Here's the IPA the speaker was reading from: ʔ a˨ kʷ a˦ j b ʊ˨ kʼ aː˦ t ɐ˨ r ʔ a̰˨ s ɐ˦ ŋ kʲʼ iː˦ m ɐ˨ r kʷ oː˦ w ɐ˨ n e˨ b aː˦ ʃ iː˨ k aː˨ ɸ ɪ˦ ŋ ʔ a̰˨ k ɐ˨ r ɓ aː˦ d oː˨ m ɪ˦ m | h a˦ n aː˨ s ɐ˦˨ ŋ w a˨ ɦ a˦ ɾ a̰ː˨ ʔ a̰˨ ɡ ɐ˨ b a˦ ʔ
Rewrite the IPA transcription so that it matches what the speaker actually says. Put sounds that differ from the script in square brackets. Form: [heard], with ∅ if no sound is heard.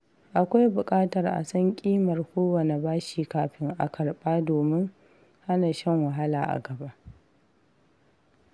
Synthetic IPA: ʔ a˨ kʷ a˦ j b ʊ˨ kʼ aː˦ t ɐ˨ r ʔ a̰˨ s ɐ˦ ŋ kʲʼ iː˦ m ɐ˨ r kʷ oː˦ w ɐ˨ n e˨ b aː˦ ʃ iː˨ k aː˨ ɸ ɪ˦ ŋ ʔ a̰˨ k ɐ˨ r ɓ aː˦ d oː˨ m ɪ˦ [ŋ] | h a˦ n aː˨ [ʃ] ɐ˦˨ ŋ w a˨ ɦ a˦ [l] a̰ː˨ ʔ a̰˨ ɡ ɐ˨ b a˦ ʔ